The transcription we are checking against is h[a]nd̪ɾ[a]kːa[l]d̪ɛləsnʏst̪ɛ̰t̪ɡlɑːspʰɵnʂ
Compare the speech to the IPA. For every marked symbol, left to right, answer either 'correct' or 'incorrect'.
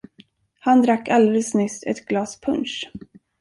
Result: correct, correct, correct

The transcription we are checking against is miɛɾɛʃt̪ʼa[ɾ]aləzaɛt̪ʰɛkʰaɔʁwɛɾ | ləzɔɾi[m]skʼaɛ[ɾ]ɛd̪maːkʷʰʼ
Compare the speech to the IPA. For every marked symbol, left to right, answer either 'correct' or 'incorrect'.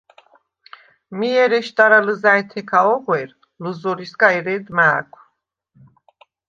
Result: correct, incorrect, correct

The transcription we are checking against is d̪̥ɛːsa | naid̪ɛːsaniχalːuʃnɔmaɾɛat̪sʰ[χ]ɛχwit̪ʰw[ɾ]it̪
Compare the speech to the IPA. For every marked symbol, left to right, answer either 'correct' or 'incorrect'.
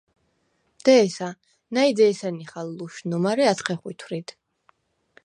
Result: correct, correct

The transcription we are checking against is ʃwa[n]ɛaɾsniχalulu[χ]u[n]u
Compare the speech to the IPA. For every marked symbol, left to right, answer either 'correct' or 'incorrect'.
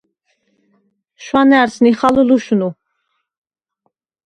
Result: correct, incorrect, correct

